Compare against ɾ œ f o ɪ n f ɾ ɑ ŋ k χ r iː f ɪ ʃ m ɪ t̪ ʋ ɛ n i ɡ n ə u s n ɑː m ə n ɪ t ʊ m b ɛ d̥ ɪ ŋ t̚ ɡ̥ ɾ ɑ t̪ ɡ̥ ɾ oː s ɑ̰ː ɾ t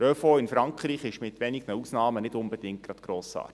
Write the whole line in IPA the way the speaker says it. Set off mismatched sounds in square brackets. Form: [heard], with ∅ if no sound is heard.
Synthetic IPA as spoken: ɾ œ f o ɪ n f ɾ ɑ ŋ k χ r iː [χ] ɪ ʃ m ɪ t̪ ʋ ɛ n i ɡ n ə u s n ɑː m ə n ɪ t ʊ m b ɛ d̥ ɪ ŋ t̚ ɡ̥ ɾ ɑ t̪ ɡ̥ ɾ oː s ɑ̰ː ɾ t